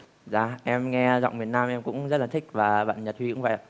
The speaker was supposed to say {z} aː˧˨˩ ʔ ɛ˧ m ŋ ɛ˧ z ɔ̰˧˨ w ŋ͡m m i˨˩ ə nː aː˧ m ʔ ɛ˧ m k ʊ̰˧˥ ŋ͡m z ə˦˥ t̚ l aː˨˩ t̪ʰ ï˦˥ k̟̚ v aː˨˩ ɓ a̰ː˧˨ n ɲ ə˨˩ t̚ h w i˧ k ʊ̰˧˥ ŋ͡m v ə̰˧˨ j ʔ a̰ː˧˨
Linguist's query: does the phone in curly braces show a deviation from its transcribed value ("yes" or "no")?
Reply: no